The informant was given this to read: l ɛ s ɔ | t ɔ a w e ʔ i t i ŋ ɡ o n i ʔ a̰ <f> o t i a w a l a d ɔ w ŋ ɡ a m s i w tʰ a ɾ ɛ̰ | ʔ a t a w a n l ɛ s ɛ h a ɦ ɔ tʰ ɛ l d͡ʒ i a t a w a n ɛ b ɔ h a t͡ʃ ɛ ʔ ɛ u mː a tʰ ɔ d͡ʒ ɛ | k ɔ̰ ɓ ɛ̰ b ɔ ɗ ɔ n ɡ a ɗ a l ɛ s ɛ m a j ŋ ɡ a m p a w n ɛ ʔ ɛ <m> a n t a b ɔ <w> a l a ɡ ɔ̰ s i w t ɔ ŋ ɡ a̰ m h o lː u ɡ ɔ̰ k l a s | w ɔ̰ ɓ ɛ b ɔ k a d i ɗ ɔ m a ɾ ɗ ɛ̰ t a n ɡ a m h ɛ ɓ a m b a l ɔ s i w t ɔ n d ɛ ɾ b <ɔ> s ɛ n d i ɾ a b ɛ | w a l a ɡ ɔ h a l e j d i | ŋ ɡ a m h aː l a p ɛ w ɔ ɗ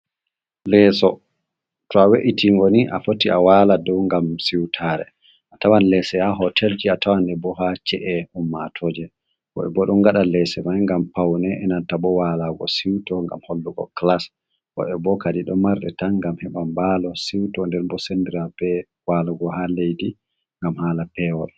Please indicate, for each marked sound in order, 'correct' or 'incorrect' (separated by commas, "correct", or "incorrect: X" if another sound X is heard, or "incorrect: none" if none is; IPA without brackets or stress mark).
correct, incorrect: n, correct, correct